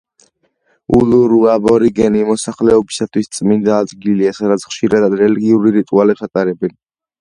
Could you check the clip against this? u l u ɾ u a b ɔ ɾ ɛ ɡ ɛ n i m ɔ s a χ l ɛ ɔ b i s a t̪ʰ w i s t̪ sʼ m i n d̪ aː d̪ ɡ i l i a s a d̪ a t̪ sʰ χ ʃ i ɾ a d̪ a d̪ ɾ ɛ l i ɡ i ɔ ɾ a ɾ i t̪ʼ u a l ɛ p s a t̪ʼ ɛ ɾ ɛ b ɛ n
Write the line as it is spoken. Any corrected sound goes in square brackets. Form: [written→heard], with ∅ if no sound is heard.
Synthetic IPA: u l u ɾ u a b ɔ ɾ [ɛ→i] ɡ ɛ n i m ɔ s a χ l ɛ ɔ b i s a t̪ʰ w i s t̪ sʼ m i n d̪ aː d̪ ɡ i l i a s a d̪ a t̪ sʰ χ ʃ i ɾ a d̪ a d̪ ɾ ɛ l i ɡ i [ɔ→u] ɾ [a→i] ɾ i t̪ʼ u a l ɛ p s a t̪ʼ [ɛ→a] ɾ ɛ b ɛ n